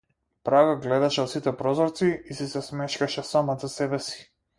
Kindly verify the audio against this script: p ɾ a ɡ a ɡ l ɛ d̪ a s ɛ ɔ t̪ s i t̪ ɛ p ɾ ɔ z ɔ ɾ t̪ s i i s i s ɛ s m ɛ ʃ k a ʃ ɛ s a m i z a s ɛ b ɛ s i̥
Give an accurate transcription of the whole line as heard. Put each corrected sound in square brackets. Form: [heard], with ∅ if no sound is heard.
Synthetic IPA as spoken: p ɾ a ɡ a ɡ l ɛ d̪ a [ʃ] ɛ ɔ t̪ s i t̪ ɛ p ɾ ɔ z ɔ ɾ t̪ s i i s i s ɛ s m ɛ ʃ k a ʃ ɛ s a m [a] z a s ɛ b ɛ s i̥